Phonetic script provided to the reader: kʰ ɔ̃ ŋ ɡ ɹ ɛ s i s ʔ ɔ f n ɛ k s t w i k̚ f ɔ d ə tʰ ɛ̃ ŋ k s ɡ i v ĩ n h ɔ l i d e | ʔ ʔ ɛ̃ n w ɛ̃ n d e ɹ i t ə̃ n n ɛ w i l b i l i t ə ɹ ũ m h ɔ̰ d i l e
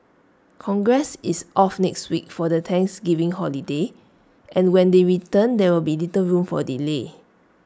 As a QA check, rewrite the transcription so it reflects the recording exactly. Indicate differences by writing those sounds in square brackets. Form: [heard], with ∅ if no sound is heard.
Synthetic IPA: kʰ ɔ̃ ŋ ɡ ɹ ɛ s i s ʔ ɔ f n ɛ k s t w i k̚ f ɔ d ə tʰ ɛ̃ ŋ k s ɡ i v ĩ [ŋ] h ɔ l i d e | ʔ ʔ ɛ̃ n w ɛ̃ n d e ɹ i t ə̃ n [d] ɛ w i l b i l i t ə ɹ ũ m [f] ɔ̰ d i l e